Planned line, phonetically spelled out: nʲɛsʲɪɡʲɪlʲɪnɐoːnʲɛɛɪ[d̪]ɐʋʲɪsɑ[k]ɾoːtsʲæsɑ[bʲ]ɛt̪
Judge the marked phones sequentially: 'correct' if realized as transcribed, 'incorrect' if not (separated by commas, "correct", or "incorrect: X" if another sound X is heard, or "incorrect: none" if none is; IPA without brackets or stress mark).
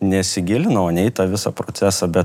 incorrect: t̪, incorrect: p, correct